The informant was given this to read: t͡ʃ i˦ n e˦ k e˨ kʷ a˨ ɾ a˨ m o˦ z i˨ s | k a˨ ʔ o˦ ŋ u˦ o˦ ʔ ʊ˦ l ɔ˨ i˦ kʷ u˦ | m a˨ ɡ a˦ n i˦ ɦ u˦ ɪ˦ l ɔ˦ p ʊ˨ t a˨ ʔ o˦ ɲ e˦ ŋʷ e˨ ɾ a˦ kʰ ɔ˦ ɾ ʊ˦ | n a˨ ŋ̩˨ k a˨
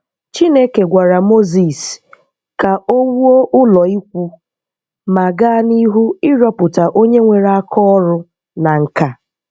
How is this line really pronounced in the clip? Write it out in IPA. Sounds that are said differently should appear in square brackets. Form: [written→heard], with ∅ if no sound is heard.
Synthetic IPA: t͡ʃ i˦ n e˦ k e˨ [kʷ→ɡʷ] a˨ ɾ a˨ m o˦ z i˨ s | k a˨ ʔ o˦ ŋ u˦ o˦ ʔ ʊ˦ l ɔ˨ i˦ kʷ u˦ | m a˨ ɡ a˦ n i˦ ɦ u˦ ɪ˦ [l→ɾ] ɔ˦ p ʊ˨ t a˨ ʔ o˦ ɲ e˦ ŋʷ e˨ ɾ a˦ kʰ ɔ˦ ɾ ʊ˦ | n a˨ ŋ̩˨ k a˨